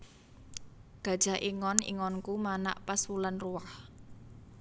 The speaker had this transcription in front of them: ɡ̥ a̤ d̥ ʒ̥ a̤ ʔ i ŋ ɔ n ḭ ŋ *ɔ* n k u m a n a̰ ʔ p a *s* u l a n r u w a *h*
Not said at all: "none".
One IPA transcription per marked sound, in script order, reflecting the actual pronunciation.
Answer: ɔ, s, h

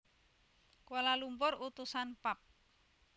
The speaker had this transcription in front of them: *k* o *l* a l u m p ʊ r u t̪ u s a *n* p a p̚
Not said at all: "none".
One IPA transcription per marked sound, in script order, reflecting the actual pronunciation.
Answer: k, l, n

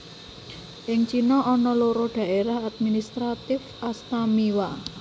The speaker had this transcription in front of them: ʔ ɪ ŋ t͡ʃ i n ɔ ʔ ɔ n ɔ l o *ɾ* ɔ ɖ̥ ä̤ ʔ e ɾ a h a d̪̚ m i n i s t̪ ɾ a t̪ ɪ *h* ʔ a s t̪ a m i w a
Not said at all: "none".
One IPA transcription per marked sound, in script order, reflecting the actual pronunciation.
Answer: ɾ, f

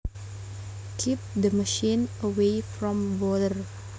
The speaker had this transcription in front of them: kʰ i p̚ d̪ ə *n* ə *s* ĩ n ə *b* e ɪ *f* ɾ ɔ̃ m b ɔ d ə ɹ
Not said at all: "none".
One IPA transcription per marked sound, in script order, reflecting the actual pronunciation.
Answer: m, ʃ, w, f

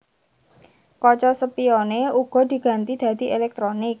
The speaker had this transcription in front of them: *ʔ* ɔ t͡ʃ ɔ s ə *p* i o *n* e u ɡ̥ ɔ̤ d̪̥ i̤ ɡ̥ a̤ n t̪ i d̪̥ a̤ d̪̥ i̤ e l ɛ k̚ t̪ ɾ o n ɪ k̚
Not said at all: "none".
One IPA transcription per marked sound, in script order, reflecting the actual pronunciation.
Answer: k, p, n

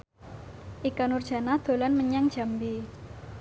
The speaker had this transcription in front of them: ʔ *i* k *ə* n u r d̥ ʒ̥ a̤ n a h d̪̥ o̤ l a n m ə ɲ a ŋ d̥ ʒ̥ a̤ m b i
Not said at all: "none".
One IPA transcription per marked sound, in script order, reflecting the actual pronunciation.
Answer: i, a

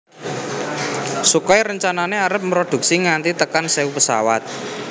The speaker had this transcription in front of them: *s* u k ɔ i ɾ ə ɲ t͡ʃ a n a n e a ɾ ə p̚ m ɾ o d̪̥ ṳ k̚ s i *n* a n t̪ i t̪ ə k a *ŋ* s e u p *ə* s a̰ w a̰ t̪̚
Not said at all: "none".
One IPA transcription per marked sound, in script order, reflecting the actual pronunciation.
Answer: s, ŋ, n, ə

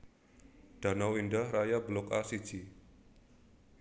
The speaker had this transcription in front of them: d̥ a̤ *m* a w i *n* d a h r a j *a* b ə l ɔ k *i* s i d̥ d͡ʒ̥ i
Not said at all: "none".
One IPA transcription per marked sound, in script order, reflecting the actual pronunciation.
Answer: n, n, a, a

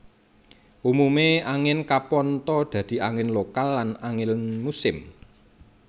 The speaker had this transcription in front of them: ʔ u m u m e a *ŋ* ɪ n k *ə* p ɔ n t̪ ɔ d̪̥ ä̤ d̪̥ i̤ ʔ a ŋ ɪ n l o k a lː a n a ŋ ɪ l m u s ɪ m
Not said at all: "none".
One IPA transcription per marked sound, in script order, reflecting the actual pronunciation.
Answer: ŋ, a

